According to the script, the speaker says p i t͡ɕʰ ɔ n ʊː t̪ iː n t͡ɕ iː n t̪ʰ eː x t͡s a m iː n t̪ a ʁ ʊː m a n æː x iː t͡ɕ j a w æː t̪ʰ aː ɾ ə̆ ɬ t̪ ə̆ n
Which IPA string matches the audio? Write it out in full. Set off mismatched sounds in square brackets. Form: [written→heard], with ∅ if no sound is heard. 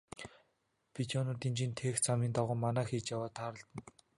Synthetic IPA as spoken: p i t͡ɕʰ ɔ n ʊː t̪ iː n t͡ɕ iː n t̪ʰ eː x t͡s a m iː n t̪ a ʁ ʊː m a n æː x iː t͡ɕ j a w [æː→aː] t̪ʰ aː ɾ ə̆ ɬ t̪ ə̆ n